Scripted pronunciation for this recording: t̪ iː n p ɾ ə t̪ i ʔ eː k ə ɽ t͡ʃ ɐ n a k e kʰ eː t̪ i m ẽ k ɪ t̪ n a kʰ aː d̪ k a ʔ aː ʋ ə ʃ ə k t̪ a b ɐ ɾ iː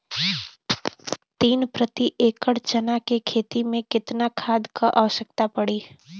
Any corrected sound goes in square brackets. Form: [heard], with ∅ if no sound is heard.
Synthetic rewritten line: t̪ iː n p ɾ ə t̪ i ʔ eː k ə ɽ t͡ʃ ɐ n a k e kʰ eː t̪ i m ẽ k ɪ t̪ n a kʰ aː d̪ k a ʔ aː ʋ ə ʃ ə k t̪ a [p] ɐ [ɽ] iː